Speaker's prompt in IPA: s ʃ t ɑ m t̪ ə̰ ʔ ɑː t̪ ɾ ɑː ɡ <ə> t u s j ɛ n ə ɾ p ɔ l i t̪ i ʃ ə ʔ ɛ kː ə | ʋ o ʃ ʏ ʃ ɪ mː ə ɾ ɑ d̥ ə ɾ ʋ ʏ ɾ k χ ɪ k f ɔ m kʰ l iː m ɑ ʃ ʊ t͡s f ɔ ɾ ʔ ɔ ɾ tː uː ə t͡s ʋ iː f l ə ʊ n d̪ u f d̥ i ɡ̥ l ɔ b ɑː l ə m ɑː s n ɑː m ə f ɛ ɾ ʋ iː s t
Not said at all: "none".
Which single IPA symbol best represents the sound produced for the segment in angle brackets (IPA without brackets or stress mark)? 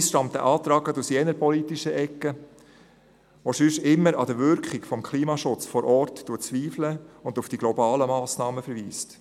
ə